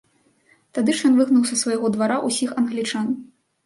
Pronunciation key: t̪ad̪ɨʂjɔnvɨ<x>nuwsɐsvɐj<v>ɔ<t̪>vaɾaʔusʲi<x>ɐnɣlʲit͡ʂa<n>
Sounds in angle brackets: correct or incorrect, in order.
incorrect: ɣ, incorrect: ɣ, incorrect: d̪, correct, correct

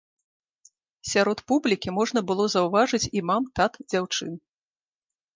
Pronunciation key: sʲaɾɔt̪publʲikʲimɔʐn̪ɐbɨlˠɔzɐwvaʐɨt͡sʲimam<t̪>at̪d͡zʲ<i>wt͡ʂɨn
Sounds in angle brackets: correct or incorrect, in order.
correct, incorrect: a

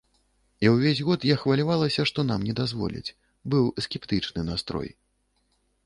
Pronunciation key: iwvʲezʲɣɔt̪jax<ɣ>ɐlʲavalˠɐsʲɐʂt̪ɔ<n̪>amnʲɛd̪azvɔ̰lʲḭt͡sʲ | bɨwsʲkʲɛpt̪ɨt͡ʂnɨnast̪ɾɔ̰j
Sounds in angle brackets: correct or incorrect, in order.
incorrect: v, correct

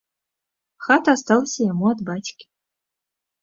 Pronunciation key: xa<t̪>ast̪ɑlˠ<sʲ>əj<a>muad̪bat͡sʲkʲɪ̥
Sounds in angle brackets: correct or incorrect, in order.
correct, correct, correct

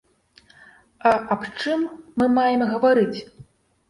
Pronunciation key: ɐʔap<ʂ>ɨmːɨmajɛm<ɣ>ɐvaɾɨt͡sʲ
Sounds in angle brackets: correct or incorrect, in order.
incorrect: t͡ʂ, correct

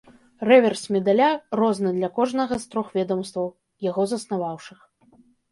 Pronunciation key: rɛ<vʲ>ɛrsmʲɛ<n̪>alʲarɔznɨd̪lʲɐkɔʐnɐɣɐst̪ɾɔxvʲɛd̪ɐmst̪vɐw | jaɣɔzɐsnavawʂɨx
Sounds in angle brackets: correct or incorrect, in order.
correct, incorrect: d̪

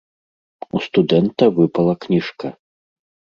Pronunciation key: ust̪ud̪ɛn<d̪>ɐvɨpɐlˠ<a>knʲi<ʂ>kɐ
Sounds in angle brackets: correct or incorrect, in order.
incorrect: t̪, incorrect: ɐ, correct

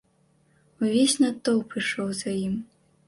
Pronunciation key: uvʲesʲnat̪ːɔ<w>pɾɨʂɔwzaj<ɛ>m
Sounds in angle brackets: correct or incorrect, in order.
correct, incorrect: i

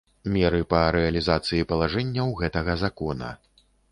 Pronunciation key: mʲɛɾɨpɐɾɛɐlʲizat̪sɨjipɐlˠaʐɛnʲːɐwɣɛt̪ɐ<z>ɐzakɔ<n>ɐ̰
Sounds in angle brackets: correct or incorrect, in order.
incorrect: ɣ, correct

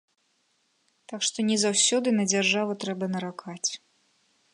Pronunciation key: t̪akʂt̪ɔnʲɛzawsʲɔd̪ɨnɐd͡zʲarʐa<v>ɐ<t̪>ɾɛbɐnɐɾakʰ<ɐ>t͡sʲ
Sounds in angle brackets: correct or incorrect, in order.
correct, correct, incorrect: a

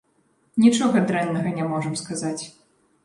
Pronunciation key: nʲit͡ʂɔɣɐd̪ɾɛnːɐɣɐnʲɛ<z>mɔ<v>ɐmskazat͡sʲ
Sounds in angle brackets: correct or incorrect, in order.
incorrect: none, incorrect: ʐ

